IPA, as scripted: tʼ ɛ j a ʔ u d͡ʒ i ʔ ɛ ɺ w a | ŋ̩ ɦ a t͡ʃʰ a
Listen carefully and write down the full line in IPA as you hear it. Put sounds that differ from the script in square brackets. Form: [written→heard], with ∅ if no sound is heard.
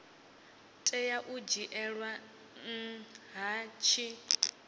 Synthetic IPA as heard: tʼ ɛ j a ʔ u d͡ʒ i ʔ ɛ ɺ w a | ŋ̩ ɦ a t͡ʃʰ [a→i]